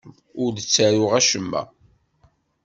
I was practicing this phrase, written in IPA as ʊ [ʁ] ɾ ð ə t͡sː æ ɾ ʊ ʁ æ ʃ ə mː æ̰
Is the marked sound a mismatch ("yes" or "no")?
yes